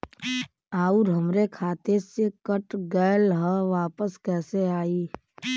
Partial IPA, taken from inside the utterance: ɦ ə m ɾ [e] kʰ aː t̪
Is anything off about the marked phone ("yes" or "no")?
no